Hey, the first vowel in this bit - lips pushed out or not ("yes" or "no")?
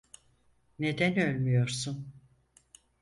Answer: no